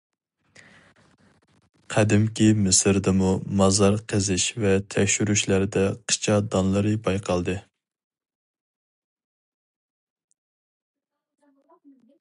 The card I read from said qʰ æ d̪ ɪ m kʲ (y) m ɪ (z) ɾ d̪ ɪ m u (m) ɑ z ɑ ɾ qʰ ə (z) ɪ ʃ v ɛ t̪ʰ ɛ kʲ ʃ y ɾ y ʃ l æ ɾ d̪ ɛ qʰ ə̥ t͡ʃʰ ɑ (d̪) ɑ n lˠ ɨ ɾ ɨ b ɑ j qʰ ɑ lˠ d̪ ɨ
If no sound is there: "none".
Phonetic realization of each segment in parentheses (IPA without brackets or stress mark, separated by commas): i, s, m, z, d̪